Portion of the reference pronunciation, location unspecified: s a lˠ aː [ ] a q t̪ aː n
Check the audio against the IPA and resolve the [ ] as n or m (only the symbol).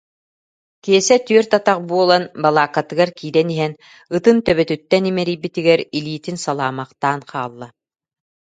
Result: m